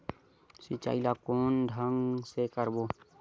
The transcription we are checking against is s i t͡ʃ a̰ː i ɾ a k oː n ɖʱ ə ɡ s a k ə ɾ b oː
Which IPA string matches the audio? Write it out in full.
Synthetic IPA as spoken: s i t͡ʃ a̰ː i l a k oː n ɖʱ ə ŋ s e k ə ɾ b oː